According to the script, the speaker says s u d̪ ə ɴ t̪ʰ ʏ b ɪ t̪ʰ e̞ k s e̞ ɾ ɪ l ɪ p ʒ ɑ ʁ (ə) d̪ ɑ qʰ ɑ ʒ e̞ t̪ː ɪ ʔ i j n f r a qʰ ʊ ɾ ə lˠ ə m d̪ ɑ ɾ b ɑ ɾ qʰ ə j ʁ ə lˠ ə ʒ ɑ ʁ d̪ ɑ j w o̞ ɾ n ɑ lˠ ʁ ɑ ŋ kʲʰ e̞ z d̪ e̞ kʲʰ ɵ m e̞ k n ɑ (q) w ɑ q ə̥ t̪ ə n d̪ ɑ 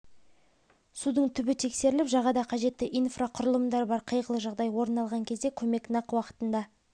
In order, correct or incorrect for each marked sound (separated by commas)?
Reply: incorrect, correct